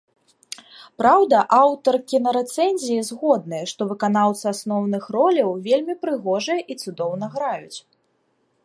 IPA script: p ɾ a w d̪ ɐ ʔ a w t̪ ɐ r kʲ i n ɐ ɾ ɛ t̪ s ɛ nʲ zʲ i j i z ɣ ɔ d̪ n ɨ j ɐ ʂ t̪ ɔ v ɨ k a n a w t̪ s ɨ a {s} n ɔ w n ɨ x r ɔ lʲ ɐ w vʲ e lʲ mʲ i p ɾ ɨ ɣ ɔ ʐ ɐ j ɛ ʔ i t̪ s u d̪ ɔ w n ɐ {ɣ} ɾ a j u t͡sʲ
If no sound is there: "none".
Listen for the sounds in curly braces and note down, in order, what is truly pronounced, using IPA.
s, ɣ

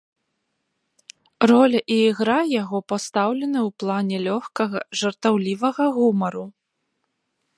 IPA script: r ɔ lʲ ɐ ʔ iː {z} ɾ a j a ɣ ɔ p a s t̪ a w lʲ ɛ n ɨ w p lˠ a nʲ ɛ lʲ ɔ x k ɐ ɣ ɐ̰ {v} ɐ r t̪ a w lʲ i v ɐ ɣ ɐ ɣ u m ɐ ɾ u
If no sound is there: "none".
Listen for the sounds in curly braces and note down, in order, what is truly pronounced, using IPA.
ɣ, ʐ

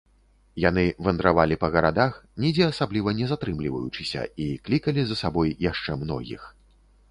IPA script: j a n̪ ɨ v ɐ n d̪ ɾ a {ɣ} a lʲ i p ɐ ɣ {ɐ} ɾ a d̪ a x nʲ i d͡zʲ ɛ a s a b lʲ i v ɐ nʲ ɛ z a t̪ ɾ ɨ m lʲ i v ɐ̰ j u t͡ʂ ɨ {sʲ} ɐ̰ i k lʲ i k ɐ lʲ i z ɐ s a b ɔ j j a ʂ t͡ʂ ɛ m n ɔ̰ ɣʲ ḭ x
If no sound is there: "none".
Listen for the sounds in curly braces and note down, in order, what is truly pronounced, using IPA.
v, ɐ, sʲ

